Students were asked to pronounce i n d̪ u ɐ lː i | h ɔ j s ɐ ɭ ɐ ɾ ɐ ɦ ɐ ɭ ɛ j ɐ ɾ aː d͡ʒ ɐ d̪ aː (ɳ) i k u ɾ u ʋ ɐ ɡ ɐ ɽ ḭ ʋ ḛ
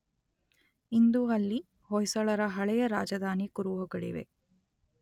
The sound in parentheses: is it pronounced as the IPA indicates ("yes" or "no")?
no